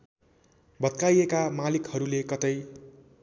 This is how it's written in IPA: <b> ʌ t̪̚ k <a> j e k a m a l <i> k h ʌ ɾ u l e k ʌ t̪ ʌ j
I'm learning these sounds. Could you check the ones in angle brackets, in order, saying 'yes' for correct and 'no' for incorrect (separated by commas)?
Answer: yes, yes, yes